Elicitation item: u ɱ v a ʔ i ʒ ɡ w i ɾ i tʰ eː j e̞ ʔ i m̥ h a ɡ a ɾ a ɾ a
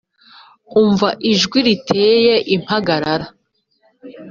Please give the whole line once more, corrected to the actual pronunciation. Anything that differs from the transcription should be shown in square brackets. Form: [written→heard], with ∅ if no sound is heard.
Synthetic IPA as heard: u ɱ v a ʔ i ʒ ɡ w i ɾ i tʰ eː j e̞ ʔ i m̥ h a ɡ a ɾ a ɾ a